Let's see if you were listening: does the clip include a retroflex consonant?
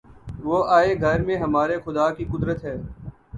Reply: no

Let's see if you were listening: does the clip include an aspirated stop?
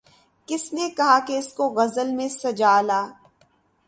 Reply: no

